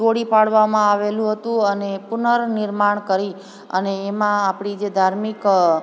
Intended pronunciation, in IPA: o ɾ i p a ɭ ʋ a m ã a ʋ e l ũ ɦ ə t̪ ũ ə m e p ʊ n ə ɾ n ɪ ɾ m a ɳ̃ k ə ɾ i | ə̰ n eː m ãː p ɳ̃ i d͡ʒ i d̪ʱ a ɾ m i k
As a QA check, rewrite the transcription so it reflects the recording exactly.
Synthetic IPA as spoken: o ɽ i p a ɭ ʋ a m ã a ʋ e l ũ ɦ ə t̪ ũ ə n e p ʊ n ə ɾ n ɪ ɾ m a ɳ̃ k ə ɾ i | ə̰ n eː m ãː p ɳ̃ i d͡ʒ e d̪ʱ a ɾ m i k

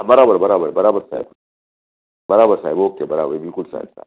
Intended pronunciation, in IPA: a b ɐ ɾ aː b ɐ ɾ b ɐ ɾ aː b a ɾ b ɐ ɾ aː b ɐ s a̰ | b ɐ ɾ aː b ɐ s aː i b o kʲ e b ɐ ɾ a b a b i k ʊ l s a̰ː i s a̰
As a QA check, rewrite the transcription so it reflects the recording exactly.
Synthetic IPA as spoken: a b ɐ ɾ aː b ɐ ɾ b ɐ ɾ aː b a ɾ b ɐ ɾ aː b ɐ s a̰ | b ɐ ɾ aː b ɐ s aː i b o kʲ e b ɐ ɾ a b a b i k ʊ l s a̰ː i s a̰

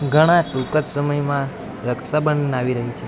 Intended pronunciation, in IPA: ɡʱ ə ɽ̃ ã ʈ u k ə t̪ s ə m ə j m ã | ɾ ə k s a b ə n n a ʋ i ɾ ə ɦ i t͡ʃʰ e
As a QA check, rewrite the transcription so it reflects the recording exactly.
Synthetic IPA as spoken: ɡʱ ə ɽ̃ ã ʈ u k ə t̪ s ə m ə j m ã | ɾ ə k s a b ə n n a ʋ i ɾ ə ɦ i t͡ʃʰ e

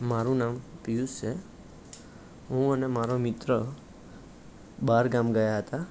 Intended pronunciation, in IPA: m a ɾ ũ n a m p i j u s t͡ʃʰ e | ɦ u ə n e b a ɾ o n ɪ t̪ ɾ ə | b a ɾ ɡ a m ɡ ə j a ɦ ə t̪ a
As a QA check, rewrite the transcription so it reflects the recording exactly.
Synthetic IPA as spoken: m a ɾ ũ n a m p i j u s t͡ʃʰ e | ɦ ũ ə n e m a ɾ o m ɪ t̪ ɾ ə | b a ɾ ɡ a m ɡ ə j a ɦ ə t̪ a

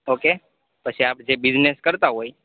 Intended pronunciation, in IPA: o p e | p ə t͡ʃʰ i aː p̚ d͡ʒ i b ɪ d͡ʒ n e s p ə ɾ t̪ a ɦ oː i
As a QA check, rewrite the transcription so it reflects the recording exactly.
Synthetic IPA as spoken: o k e | p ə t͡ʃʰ i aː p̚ d͡ʒ e b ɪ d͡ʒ n e s k ə ɾ t̪ a ɦ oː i

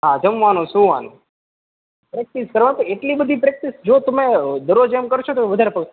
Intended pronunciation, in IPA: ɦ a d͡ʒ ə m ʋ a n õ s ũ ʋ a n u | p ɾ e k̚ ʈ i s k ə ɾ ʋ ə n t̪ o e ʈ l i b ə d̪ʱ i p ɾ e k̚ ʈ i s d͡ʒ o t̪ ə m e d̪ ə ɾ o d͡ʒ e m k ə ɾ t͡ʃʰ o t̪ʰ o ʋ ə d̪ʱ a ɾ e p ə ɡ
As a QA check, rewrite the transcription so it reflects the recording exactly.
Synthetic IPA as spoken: ɦ a d͡ʒ ə m ʋ a n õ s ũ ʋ a n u | p ɾ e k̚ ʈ i s k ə ɾ ʋ a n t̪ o e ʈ l i b ə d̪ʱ i p ɾ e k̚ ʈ i s d͡ʒ o t̪ ə m e d̪ ə ɾ o d͡ʒ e m k ə ɾ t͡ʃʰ o t̪ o ʋ ə d̪ʱ a ɾ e p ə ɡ

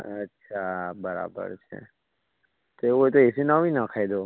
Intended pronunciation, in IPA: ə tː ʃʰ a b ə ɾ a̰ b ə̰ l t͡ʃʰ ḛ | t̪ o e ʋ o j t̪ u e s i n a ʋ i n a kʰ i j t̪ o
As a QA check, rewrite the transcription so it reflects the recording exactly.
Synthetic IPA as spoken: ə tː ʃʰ a b ə ɾ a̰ b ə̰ ɾ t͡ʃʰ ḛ | t̪ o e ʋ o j t̪ o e s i n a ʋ i n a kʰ a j d̪ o

